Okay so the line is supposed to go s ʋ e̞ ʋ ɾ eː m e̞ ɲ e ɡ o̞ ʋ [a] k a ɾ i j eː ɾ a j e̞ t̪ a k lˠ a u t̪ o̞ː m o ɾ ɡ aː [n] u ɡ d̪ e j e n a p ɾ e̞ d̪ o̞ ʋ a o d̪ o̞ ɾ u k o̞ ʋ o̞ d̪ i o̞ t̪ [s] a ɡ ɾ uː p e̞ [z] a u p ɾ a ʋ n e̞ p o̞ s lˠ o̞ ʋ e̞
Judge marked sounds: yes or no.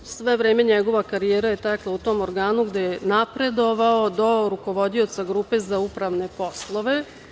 yes, yes, yes, yes

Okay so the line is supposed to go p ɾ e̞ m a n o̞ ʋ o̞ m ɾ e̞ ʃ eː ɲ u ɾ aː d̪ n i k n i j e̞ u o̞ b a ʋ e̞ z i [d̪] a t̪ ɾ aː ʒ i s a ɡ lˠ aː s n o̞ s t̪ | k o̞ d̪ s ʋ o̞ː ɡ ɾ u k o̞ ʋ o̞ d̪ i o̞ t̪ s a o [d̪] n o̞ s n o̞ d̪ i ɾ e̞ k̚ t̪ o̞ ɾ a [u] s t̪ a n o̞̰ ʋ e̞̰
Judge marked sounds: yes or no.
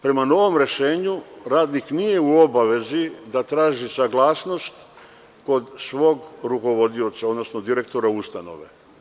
yes, yes, yes

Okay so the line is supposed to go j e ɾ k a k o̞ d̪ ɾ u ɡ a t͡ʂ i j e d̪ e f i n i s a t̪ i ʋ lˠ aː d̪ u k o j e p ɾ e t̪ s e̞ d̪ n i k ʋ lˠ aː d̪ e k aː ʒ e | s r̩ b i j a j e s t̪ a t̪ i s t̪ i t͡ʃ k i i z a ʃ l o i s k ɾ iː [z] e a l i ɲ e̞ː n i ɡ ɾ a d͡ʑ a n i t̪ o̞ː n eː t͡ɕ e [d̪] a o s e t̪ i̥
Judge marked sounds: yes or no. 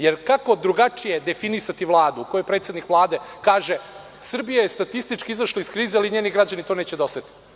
yes, yes

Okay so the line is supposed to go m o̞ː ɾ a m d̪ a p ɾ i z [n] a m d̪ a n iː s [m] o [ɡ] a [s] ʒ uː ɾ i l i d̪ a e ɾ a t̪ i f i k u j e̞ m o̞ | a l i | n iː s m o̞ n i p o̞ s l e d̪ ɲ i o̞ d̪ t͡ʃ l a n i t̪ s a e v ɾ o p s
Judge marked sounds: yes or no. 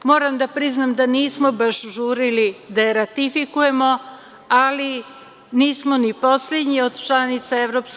yes, yes, no, no

